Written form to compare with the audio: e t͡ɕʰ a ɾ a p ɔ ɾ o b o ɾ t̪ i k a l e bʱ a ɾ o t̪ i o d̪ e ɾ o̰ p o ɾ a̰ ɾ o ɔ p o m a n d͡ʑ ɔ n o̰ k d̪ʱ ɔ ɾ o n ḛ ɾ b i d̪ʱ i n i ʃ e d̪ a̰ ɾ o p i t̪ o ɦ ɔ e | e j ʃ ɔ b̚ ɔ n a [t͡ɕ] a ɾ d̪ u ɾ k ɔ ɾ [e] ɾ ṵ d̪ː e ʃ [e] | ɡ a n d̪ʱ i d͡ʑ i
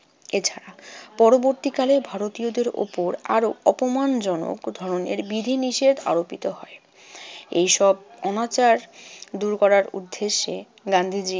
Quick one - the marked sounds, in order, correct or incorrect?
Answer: correct, incorrect: a, correct

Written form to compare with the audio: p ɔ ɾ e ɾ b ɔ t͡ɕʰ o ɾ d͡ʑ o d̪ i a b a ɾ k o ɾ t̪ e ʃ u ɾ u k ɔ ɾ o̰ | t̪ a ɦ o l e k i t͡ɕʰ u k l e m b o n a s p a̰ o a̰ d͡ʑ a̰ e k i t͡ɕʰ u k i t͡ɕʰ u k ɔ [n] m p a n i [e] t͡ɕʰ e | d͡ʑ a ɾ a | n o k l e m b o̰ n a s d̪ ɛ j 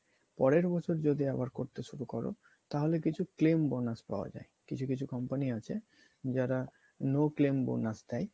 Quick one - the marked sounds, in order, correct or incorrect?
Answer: incorrect: none, incorrect: a

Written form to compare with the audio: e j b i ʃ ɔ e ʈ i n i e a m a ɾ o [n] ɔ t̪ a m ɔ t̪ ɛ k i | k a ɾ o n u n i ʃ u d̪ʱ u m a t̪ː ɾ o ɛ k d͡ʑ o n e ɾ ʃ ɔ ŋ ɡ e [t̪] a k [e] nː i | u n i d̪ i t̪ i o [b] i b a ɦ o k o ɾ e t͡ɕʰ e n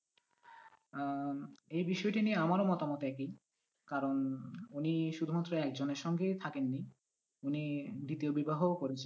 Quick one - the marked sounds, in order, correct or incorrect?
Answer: incorrect: m, incorrect: t̪ʰ, correct, correct

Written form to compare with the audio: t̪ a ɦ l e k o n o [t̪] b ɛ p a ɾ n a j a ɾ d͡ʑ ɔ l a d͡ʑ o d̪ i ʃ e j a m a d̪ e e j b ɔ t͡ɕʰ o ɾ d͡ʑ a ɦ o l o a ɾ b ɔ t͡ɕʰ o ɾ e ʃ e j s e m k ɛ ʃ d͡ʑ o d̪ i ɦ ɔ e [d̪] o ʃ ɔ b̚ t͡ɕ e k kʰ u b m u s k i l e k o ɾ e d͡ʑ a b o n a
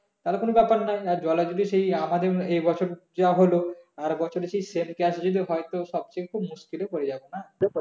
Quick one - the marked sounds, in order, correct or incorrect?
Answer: incorrect: none, incorrect: t̪

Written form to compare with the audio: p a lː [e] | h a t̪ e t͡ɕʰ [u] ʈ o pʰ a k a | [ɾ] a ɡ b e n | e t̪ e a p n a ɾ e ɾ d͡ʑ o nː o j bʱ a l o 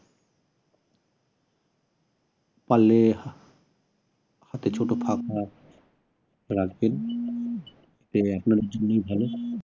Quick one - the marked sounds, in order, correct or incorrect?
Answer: correct, incorrect: o, correct

